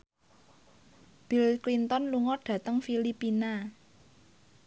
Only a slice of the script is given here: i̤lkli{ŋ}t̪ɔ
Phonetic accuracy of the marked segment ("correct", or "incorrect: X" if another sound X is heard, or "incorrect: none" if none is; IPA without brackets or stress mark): incorrect: n